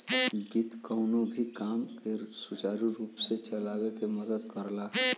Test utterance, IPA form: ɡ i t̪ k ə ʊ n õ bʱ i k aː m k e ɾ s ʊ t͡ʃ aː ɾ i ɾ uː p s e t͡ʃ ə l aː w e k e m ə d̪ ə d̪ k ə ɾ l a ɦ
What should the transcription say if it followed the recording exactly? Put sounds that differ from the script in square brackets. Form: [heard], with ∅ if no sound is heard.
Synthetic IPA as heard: ɡ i t̪ k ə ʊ n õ bʱ i k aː m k e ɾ s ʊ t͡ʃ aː ɾ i ɾ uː p s e t͡ʃ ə l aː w e k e m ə d̪ ə d̪ k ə ɾ l a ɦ